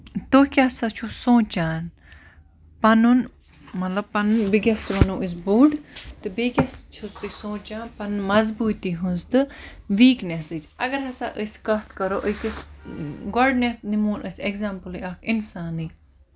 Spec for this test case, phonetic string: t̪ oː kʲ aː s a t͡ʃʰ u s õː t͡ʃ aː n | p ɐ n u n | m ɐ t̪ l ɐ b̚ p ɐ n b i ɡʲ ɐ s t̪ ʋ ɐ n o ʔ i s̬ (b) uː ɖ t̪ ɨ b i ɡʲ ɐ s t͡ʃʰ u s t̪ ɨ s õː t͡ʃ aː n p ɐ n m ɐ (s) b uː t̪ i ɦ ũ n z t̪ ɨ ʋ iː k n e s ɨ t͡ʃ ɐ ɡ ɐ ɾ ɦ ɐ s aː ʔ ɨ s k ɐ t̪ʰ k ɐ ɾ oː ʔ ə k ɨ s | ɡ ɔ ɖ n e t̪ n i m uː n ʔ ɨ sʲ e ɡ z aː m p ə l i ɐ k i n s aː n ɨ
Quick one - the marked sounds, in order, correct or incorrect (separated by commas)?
correct, incorrect